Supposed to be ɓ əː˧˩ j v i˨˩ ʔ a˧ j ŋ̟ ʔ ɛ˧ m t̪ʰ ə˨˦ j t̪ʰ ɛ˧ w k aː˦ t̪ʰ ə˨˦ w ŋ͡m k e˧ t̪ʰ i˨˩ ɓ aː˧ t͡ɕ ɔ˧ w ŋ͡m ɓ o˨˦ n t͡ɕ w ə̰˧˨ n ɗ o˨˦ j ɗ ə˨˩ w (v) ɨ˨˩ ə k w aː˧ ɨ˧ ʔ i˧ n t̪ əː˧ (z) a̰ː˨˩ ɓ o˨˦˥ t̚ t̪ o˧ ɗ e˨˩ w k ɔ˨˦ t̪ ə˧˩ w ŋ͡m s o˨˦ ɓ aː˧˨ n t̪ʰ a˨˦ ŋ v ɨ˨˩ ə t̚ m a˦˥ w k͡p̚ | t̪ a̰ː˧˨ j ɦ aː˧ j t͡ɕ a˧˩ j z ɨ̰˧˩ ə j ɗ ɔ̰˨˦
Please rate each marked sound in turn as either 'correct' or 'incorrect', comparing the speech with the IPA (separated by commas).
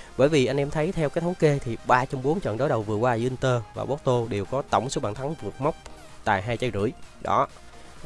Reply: correct, incorrect